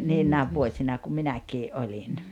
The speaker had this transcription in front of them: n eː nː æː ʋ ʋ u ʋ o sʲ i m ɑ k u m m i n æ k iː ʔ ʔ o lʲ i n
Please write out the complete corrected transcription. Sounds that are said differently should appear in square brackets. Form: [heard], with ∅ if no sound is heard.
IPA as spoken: n [iː] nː æː ʋ ʋ u [∅] o sʲ i [n] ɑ k u m m i n æ k iː ʔ ʔ o lʲ i n